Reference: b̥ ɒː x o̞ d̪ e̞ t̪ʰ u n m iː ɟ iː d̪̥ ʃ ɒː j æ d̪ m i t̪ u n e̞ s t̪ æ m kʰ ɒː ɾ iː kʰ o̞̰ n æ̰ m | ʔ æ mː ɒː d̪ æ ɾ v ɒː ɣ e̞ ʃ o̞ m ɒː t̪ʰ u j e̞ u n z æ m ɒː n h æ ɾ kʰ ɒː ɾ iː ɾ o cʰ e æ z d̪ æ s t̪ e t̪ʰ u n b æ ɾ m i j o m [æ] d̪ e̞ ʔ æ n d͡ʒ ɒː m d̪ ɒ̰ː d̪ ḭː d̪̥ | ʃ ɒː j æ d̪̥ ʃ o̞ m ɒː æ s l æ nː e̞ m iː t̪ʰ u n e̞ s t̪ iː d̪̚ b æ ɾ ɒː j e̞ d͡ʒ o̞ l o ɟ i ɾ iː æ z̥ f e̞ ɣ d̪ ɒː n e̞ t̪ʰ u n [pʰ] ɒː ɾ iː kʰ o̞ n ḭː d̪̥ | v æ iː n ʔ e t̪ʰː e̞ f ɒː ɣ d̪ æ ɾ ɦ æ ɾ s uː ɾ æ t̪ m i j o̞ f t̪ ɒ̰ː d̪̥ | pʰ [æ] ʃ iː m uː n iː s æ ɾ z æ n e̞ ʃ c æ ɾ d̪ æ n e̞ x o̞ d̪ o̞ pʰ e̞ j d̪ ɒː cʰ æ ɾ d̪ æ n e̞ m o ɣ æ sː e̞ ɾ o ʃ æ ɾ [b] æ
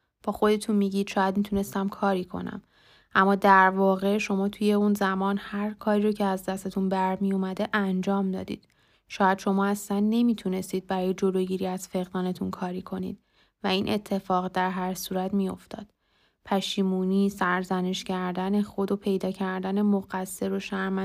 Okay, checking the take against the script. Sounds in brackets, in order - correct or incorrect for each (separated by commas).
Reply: correct, incorrect, correct, incorrect